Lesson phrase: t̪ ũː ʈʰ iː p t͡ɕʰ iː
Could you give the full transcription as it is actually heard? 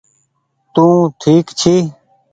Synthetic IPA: t̪ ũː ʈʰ iː k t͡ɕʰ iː